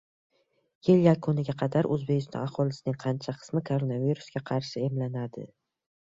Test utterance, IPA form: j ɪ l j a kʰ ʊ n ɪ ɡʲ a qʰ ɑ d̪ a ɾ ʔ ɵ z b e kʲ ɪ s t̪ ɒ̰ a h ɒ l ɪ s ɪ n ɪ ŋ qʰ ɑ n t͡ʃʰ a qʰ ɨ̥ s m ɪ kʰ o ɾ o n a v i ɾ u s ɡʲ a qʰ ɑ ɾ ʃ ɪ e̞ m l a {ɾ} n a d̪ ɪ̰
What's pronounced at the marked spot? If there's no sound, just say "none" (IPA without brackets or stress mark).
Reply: none